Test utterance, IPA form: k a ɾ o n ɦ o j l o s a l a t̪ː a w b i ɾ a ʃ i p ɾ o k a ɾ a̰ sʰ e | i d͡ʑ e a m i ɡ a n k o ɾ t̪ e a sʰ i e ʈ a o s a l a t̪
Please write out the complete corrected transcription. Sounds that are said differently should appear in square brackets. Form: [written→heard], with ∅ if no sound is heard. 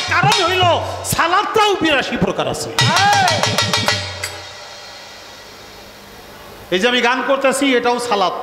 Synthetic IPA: k a ɾ o n ɦ o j l o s a l a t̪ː a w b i ɾ a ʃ i p ɾ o k a ɾ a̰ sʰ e | [i→e] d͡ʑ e a m i ɡ a n k o ɾ t̪ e a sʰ i e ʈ a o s a l a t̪